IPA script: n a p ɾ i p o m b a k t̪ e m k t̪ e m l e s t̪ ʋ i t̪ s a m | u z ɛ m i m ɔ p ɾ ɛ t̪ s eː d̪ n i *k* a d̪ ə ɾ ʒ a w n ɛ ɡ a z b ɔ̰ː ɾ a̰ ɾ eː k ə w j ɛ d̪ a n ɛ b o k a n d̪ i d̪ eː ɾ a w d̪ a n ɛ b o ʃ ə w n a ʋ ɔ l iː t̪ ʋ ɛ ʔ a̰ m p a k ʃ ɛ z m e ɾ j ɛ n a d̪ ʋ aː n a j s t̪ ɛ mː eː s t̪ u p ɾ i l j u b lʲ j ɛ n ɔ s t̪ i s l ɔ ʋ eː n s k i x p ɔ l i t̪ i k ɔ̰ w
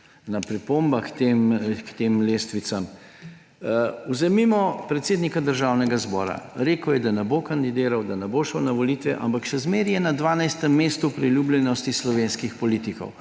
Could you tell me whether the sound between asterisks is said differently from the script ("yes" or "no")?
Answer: no